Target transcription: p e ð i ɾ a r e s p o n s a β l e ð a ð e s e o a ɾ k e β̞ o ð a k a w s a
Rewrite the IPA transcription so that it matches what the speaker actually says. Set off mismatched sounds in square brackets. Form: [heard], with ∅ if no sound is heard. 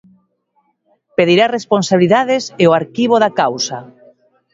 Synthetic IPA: p e ð i ɾ a r e s p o n s a β l [i] ð a ð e s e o a ɾ k [i] β̞ o ð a k a w s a